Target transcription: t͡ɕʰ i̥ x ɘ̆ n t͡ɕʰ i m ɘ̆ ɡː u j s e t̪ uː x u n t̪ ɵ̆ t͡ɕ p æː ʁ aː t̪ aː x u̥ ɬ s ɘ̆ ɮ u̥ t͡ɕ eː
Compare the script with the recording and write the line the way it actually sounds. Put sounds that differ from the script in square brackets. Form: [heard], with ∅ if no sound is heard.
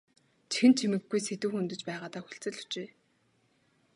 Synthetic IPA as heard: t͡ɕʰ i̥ x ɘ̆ n t͡ɕʰ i m ɘ̆ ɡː u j s e t̪ uː x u n t̪ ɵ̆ t͡ɕ p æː ʁ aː t̪ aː x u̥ ɬ [t͡s] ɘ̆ ɮ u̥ t͡ɕ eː